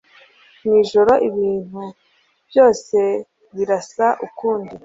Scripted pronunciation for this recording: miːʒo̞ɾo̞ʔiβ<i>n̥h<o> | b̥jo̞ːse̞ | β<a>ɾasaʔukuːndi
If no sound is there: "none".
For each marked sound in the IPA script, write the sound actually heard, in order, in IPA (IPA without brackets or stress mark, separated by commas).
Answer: iː, u, i